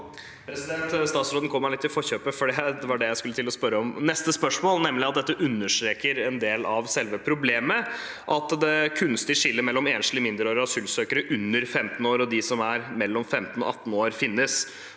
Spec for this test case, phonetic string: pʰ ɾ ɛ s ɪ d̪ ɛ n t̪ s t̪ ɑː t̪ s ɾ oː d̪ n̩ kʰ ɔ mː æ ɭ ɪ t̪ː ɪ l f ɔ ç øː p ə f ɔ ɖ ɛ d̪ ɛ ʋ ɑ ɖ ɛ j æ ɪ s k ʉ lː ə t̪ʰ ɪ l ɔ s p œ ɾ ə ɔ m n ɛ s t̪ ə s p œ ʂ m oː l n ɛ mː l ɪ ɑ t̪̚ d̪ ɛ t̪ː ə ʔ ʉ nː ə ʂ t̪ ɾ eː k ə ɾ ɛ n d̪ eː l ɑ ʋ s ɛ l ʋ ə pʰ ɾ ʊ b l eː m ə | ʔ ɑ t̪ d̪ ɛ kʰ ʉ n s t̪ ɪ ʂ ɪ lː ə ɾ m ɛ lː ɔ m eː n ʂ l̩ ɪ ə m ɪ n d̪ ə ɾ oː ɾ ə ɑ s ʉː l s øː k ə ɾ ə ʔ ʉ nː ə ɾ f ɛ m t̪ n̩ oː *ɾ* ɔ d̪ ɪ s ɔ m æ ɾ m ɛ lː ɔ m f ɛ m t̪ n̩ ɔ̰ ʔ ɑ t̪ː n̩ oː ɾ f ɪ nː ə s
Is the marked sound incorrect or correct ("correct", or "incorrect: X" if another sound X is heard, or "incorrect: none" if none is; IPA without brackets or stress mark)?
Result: correct